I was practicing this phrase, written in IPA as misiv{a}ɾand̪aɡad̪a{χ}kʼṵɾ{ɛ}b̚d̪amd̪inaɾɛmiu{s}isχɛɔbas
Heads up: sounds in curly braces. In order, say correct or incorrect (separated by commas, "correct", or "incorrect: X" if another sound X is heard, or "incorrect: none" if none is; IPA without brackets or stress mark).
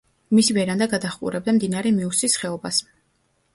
incorrect: ɛ, correct, correct, correct